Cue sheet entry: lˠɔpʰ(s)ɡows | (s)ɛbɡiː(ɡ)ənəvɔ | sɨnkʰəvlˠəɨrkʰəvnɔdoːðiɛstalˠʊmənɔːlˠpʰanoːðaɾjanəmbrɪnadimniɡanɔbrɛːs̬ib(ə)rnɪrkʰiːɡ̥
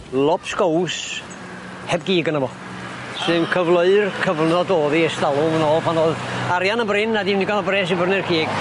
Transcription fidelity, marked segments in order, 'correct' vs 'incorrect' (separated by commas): correct, incorrect, correct, correct